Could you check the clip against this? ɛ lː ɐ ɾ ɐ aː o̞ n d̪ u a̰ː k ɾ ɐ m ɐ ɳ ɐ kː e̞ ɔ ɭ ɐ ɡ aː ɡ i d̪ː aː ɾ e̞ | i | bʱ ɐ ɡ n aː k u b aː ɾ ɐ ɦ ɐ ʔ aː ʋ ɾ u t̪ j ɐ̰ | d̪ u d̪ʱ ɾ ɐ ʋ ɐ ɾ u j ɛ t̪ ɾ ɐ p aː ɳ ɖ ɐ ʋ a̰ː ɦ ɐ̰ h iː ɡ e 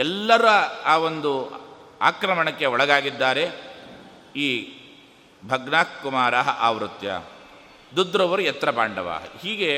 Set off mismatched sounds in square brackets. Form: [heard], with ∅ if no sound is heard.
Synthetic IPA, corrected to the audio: ɛ lː ɐ ɾ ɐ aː o̞ n d̪ u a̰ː k ɾ ɐ m ɐ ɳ ɐ kː e̞ ɔ ɭ ɐ ɡ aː ɡ i d̪ː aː ɾ e̞ | [iː] | bʱ ɐ ɡ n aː k u [m] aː ɾ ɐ ɦ ɐ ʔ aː ʋ ɾ u t̪ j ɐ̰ | d̪ u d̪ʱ ɾ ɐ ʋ ɐ ɾ u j ɛ t̪ ɾ ɐ p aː ɳ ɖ ɐ ʋ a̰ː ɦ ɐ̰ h iː ɡ e